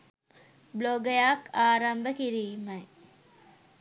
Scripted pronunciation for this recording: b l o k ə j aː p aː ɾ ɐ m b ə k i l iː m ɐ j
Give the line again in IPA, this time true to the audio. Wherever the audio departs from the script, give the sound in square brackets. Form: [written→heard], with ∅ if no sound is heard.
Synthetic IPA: b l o [k→ɡ] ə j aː [p→k] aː ɾ ɐ m b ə k i [l→ɾ] iː m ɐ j